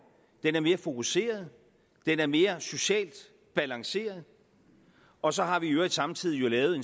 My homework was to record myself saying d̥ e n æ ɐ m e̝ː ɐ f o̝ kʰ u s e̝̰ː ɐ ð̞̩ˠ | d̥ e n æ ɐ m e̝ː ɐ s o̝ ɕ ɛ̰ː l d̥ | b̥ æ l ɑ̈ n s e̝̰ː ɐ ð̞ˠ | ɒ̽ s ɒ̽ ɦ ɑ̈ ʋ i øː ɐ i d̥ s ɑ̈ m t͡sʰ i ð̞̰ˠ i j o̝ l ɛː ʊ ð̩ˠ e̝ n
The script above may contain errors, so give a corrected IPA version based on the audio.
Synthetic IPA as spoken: d̥ e n æ ɐ m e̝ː ɐ f o̝ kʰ u s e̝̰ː ɐ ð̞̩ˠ | d̥ e n æ ɐ m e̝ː ɐ s o̝ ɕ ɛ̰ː l d̥ | b̥ æ l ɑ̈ ŋ s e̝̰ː ɐ ð̞ˠ | ɒ̽ s ɒ̽ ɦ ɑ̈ ʋ i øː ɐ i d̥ s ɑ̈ m t͡sʰ i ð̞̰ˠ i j o̝ l ɛː ʊ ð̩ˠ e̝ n